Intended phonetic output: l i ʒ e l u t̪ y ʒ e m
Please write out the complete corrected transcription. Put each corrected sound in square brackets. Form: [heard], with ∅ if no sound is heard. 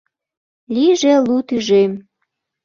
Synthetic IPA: l i ʒ e l u t̪ y ʒ e m